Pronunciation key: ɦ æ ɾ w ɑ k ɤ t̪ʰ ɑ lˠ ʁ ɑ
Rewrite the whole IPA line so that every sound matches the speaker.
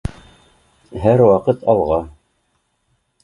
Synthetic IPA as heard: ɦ æ ɾ w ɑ q ɤ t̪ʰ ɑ lˠ ʁ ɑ